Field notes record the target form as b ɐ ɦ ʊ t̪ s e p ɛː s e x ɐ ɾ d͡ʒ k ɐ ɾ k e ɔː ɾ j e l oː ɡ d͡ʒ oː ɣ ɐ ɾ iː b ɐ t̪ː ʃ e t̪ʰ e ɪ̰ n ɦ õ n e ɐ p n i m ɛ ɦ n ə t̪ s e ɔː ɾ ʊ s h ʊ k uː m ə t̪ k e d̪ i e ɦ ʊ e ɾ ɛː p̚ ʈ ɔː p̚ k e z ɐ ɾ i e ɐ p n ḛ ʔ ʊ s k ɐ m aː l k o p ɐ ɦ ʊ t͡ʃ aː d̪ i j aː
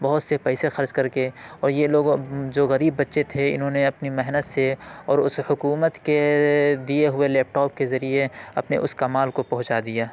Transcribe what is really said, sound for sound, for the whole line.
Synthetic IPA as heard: b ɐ ɦ ʊ t̪ s e p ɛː s e x ɐ ɾ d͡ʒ k ɐ ɾ k e ɔː ɾ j e l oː ɡ d͡ʒ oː ɣ ɐ ɾ iː bː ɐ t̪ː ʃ e t̪ʰ e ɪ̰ n ɦ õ n e ɐ p n i m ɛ ɦ n ə t̪ s e ɔː ɾ ʊ s h ʊ k uː m ə t̪ k e d̪ i e ɦ ʊ e l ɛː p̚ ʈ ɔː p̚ k e z ɐ ɾ i e ɐ p n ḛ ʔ ʊ s k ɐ m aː l k o p ɐ ɦ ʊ t͡ʃ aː d̪ i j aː